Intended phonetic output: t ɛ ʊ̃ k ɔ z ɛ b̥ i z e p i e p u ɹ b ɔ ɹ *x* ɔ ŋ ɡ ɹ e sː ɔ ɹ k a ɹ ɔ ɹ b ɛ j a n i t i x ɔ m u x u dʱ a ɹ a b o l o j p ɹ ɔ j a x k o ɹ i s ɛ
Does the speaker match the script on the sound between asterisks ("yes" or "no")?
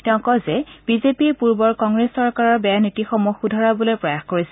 no